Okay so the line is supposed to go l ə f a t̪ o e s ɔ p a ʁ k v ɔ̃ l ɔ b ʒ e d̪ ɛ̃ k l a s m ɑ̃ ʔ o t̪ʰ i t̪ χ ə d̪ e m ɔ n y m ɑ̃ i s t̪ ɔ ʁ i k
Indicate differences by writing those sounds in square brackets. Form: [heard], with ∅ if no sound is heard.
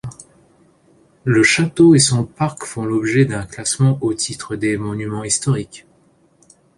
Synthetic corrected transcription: l ə [ʃ] a t̪ o e s [ɔ̃] p a ʁ k [f] ɔ̃ l ɔ b ʒ [ɛ] d̪ ɛ̃ k l a s m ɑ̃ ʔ o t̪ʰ i t̪ χ ə d̪ e m ɔ n y m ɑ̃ i s t̪ ɔ ʁ i k